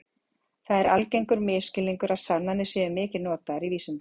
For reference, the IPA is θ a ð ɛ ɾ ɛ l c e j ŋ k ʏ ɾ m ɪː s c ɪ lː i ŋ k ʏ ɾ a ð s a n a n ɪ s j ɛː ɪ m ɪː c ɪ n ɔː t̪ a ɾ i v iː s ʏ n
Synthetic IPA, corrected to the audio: θ a ð ɛ ɾ a l c e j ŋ k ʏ ɾ m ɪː s c ɪ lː i ŋ k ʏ ɾ a ð s a n a n ɪ s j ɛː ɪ m ɪː c ɪ n ɔː t̪ a ɾ i v iː s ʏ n